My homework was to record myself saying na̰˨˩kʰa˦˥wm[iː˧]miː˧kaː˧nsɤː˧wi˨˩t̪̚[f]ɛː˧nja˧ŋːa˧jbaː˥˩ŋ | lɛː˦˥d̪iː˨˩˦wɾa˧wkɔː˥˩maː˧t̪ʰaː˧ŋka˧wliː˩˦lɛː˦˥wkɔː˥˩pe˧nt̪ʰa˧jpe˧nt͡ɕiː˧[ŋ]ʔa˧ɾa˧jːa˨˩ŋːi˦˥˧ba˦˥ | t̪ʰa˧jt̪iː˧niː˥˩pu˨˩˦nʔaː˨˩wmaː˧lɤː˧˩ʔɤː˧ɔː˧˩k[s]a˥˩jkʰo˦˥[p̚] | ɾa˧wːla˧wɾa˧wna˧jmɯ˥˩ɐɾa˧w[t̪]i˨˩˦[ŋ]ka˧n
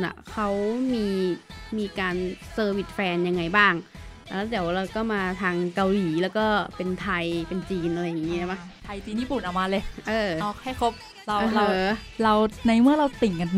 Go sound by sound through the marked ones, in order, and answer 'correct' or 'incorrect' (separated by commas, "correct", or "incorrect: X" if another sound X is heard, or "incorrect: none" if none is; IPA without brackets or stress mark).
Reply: correct, correct, incorrect: n, incorrect: h, correct, correct, correct